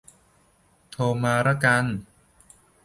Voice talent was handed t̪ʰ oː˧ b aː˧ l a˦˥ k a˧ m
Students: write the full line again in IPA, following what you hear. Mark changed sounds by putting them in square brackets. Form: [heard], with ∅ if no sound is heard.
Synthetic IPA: t̪ʰ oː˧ [m] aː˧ [ɾ] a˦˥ k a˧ [n]